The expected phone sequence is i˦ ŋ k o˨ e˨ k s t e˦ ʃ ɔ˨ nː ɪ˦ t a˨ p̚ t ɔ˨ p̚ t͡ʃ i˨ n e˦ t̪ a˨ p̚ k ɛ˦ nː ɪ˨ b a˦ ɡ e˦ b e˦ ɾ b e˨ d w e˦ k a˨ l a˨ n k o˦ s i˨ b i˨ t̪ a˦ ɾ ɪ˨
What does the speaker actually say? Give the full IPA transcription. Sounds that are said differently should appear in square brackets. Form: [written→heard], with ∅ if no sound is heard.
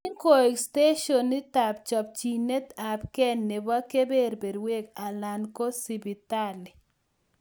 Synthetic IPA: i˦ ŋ k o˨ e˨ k s t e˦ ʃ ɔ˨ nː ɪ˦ t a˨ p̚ [t→t͡ʃ] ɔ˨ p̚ t͡ʃ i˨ n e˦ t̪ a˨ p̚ k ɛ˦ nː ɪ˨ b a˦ [ɡ→k] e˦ b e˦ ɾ b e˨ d w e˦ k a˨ l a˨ n k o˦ s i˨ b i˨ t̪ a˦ [ɾ→l] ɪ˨